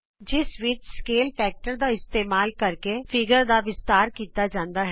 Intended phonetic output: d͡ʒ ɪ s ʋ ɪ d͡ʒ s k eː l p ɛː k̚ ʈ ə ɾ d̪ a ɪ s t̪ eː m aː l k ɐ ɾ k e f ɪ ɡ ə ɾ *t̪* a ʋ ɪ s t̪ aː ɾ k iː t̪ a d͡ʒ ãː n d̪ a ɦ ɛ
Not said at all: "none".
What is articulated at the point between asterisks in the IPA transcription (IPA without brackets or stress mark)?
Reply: d̪